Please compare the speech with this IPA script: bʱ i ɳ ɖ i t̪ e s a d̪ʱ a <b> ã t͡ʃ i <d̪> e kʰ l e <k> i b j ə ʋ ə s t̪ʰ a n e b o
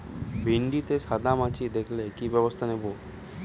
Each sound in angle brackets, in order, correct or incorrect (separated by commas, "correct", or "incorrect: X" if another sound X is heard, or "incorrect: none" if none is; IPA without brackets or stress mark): incorrect: m, correct, correct